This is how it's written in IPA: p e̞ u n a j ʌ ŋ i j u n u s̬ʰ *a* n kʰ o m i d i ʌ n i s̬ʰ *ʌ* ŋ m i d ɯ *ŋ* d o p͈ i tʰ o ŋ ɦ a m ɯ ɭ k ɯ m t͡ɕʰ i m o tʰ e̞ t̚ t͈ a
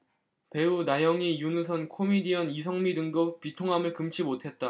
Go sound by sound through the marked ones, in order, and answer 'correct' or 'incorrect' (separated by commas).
incorrect, correct, correct